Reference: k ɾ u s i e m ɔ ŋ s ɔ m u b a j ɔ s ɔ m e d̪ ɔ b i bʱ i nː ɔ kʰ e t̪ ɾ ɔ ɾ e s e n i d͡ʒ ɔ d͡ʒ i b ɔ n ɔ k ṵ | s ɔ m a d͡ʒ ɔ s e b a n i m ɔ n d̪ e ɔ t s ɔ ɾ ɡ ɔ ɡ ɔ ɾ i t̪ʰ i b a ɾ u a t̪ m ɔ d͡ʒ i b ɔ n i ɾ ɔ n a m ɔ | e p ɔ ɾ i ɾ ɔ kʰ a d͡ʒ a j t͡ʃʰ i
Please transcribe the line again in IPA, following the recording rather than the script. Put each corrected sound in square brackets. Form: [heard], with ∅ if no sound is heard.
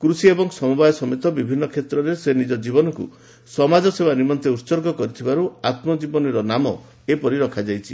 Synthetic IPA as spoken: k ɾ u s i e [b] ɔ ŋ s ɔ m u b a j ɔ s ɔ m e [t̪] ɔ b i bʱ i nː ɔ kʰ e t̪ ɾ ɔ ɾ e s e n i d͡ʒ ɔ d͡ʒ i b ɔ n ɔ k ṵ | s ɔ m a d͡ʒ ɔ s e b a n i m ɔ n [t̪] e [u] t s ɔ ɾ ɡ ɔ [k] ɔ ɾ i t̪ʰ i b a ɾ u a t̪ m ɔ d͡ʒ i b ɔ n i ɾ ɔ n a m ɔ | e p ɔ ɾ i ɾ ɔ kʰ a d͡ʒ a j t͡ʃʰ i

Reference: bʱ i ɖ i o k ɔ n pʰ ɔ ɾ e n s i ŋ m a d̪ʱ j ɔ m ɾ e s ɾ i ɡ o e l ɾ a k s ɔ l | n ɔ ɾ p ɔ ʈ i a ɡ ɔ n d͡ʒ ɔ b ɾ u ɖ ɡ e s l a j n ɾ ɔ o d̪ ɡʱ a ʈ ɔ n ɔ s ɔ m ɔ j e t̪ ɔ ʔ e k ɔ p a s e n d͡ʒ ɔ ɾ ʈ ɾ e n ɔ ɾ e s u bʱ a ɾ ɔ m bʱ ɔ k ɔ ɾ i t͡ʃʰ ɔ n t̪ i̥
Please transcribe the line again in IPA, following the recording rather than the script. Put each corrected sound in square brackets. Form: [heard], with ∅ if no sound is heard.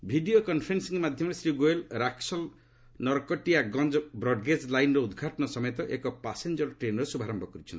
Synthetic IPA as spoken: bʱ i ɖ i o k ɔ n pʰ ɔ ɾ e n s i ŋ m a d̪ʱ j ɔ m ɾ e s ɾ i ɡ o e l ɾ a k s ɔ l | n ɔ ɾ [k] ɔ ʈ i a ɡ ɔ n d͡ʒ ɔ b ɾ [ɔ] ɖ ɡ e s l a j n ɾ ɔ [u] d̪ ɡʱ a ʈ ɔ n ɔ s ɔ m ɔ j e t̪ ɔ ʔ e k ɔ p a s e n d͡ʒ ɔ ɾ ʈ ɾ e n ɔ ɾ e s u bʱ a ɾ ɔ m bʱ ɔ k ɔ ɾ i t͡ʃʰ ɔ n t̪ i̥

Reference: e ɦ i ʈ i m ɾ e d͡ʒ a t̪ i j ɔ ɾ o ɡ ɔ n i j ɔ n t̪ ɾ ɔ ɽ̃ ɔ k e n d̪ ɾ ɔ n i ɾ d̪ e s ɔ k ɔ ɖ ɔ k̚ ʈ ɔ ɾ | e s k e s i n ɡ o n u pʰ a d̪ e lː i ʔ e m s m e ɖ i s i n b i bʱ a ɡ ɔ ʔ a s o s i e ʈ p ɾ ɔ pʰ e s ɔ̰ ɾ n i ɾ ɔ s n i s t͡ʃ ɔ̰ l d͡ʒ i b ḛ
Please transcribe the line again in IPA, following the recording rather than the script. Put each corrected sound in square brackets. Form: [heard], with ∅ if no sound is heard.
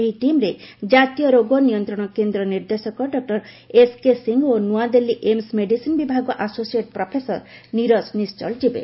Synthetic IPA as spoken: e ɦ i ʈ i m ɾ e d͡ʒ a t̪ i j ɔ ɾ o ɡ ɔ n i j ɔ n t̪ ɾ ɔ ɽ̃ ɔ k e n d̪ ɾ ɔ n i ɾ d̪ e s ɔ k ɔ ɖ ɔ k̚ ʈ ɔ ɾ | e s k e s i [ŋ] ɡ o n u [∅] a d̪ e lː i ʔ e m s m e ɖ i s i n b i bʱ a ɡ ɔ ʔ a s o s i e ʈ p ɾ ɔ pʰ e s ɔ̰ ɾ n i ɾ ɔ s n i s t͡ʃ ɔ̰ l d͡ʒ i b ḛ

